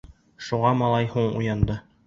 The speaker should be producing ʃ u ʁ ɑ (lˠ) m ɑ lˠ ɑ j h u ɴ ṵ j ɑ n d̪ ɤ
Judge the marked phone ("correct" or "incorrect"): incorrect